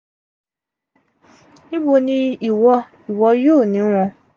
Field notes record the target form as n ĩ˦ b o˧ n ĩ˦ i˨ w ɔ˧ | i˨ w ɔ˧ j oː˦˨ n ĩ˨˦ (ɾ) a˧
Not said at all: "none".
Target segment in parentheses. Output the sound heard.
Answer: ɾ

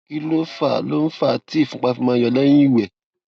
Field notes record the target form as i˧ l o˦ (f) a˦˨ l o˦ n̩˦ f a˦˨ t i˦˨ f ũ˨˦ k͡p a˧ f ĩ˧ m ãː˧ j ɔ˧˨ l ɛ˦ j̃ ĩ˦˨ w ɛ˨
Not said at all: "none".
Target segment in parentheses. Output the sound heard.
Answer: f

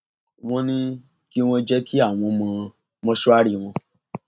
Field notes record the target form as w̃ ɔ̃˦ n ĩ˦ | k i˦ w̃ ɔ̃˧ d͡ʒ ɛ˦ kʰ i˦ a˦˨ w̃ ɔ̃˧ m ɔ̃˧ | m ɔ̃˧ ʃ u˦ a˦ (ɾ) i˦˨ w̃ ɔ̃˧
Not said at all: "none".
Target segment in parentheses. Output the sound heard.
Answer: ɾ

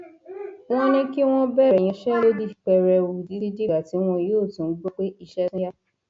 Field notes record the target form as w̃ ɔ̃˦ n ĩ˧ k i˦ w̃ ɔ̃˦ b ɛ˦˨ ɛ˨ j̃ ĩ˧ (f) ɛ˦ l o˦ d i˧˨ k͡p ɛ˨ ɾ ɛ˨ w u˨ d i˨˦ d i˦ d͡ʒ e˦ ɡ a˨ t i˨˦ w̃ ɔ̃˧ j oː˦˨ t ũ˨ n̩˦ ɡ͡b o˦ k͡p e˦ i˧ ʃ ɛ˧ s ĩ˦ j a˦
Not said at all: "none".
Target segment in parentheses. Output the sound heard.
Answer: ʃ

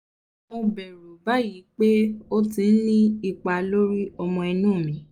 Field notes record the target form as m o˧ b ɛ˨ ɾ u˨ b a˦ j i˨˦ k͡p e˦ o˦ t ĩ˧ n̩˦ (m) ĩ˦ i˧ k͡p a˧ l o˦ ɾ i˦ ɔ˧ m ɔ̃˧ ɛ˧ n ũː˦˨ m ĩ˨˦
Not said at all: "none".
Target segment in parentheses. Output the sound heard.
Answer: n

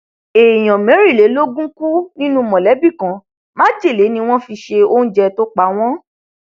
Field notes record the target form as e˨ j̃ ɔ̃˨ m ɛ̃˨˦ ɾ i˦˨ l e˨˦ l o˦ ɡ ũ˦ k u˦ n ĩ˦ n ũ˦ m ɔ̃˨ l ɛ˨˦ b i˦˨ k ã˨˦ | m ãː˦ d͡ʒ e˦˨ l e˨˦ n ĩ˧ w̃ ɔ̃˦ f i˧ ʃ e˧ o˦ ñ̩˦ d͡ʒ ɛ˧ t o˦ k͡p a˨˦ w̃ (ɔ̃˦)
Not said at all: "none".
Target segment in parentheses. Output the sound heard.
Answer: ɔ̃˦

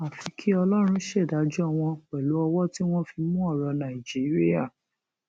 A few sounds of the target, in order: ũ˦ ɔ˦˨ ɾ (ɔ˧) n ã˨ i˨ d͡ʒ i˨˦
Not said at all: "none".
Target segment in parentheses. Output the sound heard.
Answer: ɔ˧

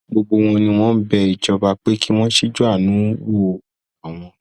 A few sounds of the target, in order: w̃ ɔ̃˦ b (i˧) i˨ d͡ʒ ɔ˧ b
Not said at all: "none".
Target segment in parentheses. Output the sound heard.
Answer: ɛ˧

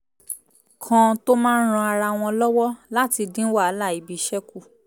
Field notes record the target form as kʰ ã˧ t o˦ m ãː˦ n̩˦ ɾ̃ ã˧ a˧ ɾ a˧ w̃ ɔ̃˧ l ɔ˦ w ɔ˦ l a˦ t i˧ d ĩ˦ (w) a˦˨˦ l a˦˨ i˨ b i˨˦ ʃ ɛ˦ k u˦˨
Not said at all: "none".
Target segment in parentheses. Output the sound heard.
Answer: w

